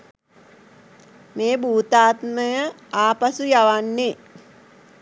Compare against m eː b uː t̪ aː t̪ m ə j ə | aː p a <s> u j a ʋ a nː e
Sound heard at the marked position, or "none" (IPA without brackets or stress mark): s